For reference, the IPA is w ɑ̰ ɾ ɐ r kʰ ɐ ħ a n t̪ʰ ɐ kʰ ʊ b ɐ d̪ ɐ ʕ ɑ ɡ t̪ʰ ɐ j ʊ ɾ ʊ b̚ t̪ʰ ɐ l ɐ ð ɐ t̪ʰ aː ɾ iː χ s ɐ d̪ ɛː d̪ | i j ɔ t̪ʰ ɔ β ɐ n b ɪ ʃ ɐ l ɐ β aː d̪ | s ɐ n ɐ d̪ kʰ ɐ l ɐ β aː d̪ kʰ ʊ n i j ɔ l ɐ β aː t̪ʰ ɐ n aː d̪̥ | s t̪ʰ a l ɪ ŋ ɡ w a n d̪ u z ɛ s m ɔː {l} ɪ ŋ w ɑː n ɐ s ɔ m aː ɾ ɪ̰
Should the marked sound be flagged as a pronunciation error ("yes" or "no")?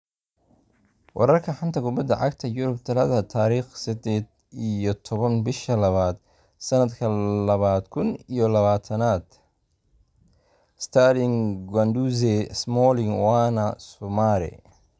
no